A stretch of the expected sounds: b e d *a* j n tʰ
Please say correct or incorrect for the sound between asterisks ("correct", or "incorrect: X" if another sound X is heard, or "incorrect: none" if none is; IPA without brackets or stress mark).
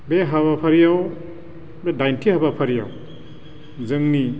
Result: correct